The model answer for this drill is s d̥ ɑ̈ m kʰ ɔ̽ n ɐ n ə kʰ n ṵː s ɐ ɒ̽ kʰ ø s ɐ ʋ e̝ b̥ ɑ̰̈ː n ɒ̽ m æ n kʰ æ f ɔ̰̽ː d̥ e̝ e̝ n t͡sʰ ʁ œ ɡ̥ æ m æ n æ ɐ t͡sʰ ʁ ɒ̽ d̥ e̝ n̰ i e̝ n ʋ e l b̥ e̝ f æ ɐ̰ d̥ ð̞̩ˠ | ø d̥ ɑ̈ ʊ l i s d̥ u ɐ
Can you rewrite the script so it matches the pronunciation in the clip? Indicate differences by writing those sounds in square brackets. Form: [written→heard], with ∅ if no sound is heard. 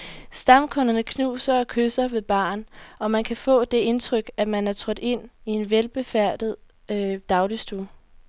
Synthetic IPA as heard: s d̥ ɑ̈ m kʰ ɔ̽ n ɐ n ə kʰ n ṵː s ɐ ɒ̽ kʰ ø s ɐ ʋ e̝ b̥ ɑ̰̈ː n ɒ̽ m æ n kʰ æ f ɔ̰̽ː d̥ e̝ e̝ n t͡sʰ ʁ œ ɡ̥ æ m æ n æ ɐ t͡sʰ ʁ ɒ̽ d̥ e̝ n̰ i e̝ n ʋ e l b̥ e̝ f æ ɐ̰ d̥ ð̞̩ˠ | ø d̥ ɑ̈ ʊ l i s d̥ u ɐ

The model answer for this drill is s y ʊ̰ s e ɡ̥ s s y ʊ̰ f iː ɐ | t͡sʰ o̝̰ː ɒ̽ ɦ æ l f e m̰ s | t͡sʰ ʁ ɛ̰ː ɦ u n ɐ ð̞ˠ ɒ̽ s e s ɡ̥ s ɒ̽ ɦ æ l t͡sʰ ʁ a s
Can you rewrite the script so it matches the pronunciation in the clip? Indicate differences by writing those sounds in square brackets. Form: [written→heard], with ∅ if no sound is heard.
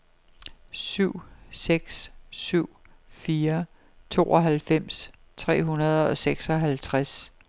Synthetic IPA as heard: s y ʊ̰ s e ɡ̥ s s y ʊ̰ f iː ɐ | t͡sʰ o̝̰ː ɒ̽ ɦ æ l f e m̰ s | t͡sʰ ʁ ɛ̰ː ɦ u n ɐ ð̞ˠ ɒ̽ s e [s→∅] ɡ̥ s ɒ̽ ɦ æ l t͡sʰ ʁ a s

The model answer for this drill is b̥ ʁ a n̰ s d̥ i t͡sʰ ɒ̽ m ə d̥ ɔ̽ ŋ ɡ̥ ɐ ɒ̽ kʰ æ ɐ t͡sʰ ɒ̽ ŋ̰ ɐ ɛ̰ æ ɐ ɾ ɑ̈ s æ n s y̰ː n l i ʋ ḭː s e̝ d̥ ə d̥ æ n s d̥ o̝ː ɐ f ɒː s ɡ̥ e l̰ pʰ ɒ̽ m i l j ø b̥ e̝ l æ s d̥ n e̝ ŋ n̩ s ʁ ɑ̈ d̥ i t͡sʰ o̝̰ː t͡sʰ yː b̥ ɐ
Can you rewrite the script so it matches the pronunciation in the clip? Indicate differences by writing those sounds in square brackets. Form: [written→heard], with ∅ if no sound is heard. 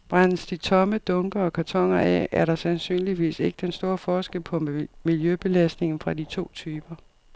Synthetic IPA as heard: b̥ ʁ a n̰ s d̥ i t͡sʰ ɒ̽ m ə d̥ ɔ̽ ŋ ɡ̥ ɐ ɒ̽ kʰ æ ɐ t͡sʰ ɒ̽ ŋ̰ ɐ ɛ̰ æ ɐ ɾ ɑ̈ s æ n s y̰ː n l i ʋ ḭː s e̝ [d̥→ɡ̥] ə d̥ [æ→e] n s d̥ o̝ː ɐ f ɒː s ɡ̥ e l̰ pʰ ɒ̽ m i l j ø b̥ e̝ l æ s d̥ n e̝ ŋ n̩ [s→f] ʁ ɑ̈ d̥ i t͡sʰ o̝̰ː t͡sʰ yː b̥ ɐ

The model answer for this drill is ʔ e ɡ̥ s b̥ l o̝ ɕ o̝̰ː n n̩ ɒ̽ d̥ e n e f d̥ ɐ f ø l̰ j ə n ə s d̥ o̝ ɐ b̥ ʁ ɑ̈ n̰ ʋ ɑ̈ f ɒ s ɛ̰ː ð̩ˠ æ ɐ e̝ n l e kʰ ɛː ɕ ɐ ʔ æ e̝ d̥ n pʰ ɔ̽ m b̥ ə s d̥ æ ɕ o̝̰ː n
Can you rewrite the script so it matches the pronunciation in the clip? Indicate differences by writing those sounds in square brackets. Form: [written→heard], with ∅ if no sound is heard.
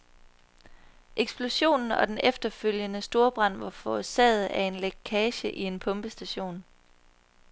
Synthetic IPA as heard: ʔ e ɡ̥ s b̥ l o̝ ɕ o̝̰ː n n̩ ɒ̽ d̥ e n e f d̥ ɐ f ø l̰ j ə n ə s d̥ o̝ ɐ b̥ ʁ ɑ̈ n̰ ʋ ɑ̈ f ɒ s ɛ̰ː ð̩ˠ æ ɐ e̝ n l e kʰ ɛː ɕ [ɐ→ə] ʔ [æ→i] e̝ [d̥→∅] n pʰ ɔ̽ m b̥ ə s d̥ æ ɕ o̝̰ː n

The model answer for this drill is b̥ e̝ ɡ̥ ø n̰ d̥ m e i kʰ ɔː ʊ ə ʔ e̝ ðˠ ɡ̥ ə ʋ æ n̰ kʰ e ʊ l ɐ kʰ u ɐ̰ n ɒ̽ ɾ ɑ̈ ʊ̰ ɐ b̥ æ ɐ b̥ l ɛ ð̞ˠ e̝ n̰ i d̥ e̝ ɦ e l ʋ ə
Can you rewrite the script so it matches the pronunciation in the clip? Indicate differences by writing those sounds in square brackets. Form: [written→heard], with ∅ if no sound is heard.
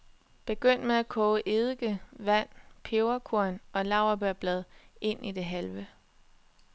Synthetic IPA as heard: b̥ e̝ ɡ̥ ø n̰ d̥ m e [i→æ] kʰ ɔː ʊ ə ʔ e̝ ðˠ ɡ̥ ə ʋ æ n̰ [kʰ→pʰ] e ʊ [l→∅] ɐ kʰ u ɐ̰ n ɒ̽ [ɾ→l] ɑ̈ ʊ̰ ɐ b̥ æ ɐ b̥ l ɛ ð̞ˠ e̝ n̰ i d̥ e̝ ɦ [e→æ] l ʋ ə

